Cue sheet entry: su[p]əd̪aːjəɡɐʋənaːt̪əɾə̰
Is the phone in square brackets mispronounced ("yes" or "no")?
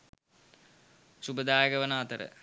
yes